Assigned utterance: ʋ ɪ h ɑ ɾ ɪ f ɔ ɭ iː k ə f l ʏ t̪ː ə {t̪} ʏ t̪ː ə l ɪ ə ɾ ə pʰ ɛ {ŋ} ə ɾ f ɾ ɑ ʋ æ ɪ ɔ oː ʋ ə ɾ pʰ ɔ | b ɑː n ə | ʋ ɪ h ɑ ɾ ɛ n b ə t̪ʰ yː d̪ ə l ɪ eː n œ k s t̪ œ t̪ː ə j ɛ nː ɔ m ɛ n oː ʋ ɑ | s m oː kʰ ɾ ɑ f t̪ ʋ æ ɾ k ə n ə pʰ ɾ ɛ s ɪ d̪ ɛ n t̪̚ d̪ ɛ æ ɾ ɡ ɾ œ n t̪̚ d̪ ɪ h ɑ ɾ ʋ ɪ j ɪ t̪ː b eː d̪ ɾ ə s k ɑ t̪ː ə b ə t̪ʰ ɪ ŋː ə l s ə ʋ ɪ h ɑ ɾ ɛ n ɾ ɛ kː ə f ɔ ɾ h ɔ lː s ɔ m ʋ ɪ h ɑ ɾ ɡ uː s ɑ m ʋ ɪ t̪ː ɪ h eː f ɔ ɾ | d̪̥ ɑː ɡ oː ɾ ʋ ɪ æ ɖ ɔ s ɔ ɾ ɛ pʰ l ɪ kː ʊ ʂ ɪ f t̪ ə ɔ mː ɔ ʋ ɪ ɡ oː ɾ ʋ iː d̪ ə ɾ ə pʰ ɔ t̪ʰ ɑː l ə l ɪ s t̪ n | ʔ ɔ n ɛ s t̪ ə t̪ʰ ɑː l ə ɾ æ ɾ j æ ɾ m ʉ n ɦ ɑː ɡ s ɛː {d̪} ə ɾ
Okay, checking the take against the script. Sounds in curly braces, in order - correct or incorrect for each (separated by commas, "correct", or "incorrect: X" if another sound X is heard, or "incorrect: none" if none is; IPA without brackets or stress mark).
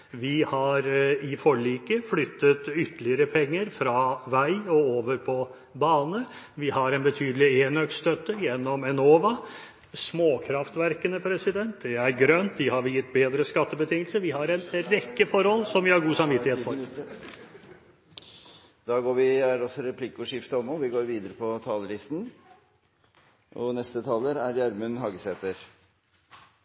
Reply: correct, incorrect: ŋː, incorrect: t̪